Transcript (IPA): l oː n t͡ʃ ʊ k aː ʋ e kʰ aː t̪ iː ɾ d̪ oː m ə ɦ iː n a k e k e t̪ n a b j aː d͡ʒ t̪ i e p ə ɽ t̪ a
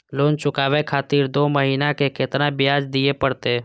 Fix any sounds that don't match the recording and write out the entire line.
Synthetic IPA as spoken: l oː n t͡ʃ ʊ k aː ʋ e kʰ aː t̪ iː ɾ d̪ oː m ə ɦ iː n a k e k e t̪ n a b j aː d͡ʒ d̪ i e p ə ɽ t̪ e

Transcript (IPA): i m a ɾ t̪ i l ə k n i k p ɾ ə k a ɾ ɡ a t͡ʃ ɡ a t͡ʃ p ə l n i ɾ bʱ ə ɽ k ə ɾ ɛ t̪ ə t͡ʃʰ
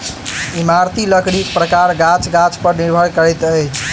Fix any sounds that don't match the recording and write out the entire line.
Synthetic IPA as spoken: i m a ɾ t̪ i l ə k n i k p ɾ ə k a ɾ ɡ a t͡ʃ ɡ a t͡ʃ p ə ɾ n i ɾ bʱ ə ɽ k ə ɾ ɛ t̪ ə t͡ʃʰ

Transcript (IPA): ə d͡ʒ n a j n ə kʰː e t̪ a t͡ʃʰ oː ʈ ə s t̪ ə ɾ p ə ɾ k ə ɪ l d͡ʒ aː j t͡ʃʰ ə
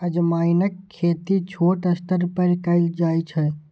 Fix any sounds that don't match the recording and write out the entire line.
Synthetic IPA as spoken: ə d͡ʒ m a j n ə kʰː e t̪ i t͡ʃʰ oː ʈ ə s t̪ ə ɾ p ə ɾ k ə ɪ l d͡ʒ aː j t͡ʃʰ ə

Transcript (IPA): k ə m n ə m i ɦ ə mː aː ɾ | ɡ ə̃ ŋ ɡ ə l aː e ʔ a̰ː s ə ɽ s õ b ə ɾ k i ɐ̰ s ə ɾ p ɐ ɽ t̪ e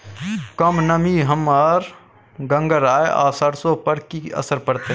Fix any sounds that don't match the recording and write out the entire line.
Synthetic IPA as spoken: k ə m n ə m i ɦ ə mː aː ɾ | ɡ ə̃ ŋ ɡ ə ɾ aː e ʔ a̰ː s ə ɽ s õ p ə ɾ k i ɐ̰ s ə ɾ p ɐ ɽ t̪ e

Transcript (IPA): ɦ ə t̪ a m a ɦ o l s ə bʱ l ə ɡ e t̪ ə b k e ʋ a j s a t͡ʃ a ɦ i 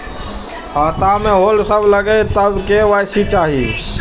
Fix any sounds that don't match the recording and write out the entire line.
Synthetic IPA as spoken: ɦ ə t̪ a m e ɦ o l s ə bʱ l ə ɡ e t̪ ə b k e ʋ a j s i t͡ʃ a ɦ i

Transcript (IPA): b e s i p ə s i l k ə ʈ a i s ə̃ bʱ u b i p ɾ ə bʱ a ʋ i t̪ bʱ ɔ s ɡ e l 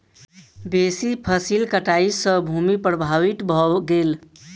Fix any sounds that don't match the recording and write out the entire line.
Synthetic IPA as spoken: b e s i pʰ ə s i l k ə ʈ a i s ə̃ bʱ u m i p ɾ ə bʱ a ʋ i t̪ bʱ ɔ ɡ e l

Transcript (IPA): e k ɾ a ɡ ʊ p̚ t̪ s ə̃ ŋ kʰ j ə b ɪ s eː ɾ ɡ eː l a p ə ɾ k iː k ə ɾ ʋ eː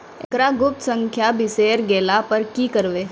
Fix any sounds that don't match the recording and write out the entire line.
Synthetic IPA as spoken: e k ɾ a ɡ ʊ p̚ t̪ s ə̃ ŋ kʰ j a b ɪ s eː ɾ ɡ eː l a p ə ɾ k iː k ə ɾ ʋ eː

